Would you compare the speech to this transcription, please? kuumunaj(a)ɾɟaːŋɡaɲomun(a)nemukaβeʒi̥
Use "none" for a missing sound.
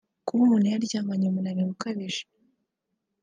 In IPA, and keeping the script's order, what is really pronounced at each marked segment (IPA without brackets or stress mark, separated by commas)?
a, a